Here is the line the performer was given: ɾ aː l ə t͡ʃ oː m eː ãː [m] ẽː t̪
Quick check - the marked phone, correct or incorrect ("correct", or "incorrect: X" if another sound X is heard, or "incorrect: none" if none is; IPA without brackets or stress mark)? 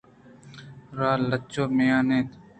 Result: incorrect: n